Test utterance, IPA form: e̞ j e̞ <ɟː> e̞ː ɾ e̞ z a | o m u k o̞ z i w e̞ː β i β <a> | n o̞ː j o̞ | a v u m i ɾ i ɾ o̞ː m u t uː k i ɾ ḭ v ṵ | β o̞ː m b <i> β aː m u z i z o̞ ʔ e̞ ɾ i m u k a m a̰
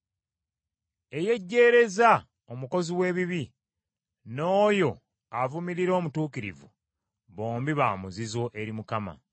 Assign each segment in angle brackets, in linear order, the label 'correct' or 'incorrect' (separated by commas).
correct, incorrect, correct